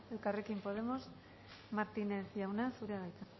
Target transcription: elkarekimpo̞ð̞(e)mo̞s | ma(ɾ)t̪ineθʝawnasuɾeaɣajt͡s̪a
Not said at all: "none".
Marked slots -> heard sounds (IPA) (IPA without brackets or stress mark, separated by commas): e, ɾ